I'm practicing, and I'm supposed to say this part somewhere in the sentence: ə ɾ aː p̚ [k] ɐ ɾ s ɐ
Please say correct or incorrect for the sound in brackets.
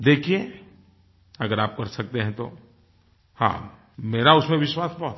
correct